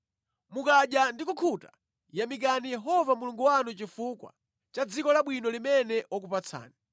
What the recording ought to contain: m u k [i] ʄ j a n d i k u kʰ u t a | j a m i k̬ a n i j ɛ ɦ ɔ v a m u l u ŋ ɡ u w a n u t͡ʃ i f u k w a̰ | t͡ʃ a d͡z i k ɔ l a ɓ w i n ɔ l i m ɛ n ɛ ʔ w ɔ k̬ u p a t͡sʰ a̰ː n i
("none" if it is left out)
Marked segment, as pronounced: a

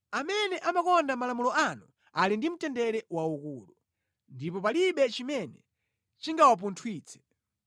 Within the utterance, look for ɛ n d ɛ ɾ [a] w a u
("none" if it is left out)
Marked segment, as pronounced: ɛ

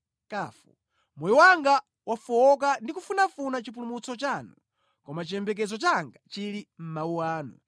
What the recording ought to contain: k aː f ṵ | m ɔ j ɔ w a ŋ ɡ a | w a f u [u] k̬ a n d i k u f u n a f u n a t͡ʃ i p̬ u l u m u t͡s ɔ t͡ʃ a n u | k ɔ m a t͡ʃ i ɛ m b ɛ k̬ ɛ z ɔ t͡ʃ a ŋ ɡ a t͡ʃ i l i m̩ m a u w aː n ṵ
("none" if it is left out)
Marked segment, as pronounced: ɔ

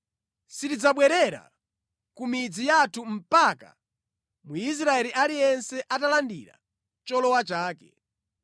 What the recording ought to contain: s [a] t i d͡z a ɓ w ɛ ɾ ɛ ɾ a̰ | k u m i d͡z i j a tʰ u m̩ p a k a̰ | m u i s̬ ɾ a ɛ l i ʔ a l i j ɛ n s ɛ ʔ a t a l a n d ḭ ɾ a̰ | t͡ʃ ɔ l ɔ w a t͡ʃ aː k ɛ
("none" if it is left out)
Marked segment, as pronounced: i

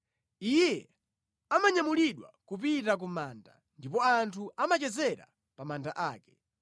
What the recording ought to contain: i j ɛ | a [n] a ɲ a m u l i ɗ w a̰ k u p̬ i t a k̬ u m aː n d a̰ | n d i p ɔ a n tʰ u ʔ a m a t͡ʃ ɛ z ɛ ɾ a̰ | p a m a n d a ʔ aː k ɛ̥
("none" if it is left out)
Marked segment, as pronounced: m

